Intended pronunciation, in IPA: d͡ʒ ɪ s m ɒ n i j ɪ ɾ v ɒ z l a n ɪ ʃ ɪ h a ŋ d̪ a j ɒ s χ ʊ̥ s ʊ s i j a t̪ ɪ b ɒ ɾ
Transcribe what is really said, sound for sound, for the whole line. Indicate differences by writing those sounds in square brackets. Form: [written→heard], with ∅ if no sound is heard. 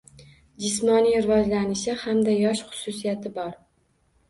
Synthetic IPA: d͡ʒ ɪ s m ɒ n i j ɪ ɾ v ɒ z l a n ɪ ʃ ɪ h a [ŋ→m] d̪ a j ɒ [s→ʃ] χ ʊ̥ s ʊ s i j a t̪ ɪ b ɒ ɾ